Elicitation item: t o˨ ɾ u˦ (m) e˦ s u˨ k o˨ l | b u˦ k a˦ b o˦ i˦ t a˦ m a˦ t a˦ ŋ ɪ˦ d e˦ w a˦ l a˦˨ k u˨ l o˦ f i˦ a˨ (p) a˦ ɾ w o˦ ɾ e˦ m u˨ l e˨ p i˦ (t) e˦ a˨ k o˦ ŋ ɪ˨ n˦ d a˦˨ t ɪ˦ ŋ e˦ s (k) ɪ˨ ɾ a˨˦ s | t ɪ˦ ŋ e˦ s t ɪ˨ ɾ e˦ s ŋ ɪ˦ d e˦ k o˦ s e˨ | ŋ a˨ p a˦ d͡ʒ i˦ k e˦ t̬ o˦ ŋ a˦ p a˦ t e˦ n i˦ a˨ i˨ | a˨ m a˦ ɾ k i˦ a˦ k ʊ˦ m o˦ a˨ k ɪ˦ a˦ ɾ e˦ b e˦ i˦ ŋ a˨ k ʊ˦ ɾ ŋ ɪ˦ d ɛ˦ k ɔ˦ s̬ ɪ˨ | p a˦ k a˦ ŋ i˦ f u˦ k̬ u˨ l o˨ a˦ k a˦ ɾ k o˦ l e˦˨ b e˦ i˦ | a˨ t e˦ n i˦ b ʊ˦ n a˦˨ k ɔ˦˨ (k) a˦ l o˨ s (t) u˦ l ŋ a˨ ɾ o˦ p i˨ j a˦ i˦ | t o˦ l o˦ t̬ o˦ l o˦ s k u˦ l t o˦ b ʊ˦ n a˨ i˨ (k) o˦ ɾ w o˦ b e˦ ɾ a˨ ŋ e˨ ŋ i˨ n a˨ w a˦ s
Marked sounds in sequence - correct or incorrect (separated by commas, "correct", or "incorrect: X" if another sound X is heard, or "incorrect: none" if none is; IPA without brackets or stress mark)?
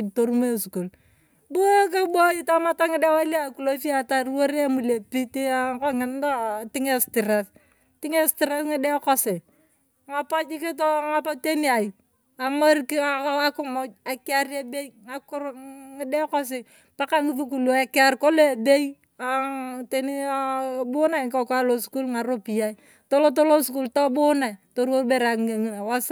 correct, incorrect: t, correct, incorrect: t, correct, incorrect: k, incorrect: t